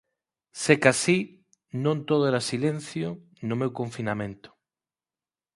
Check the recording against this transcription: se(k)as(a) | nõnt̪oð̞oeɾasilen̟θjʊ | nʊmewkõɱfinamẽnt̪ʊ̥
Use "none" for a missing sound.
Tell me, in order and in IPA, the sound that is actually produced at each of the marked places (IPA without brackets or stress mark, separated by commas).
k, i